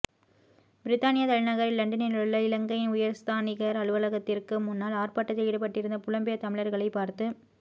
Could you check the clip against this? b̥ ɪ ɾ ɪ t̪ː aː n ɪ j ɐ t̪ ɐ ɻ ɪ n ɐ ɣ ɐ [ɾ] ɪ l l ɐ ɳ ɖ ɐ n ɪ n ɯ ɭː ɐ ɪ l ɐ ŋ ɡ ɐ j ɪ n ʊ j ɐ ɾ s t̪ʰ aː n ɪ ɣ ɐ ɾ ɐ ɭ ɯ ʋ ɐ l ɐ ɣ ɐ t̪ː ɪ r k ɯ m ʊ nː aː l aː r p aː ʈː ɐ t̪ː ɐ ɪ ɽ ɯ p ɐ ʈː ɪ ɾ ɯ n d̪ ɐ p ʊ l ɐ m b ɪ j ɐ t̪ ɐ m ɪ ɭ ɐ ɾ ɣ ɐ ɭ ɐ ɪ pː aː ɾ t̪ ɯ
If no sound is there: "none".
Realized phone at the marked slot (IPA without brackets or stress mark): ɾ